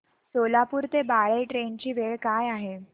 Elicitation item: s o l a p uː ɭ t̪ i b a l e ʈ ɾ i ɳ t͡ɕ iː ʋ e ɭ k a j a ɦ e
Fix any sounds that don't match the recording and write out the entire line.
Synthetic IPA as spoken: s o l a p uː ɾ t̪ e b a ɭ e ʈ ɾ e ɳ t͡ɕ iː ʋ e ɭ k a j a ɦ e